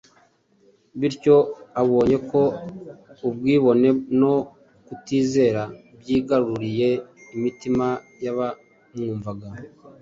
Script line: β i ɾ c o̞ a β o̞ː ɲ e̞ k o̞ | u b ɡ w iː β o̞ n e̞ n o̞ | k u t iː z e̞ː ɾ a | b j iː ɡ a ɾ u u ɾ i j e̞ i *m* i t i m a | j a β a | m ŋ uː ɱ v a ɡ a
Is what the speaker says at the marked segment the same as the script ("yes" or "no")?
yes